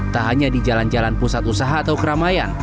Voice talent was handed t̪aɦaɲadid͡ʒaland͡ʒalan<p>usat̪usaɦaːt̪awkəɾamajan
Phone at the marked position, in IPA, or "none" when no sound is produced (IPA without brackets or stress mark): p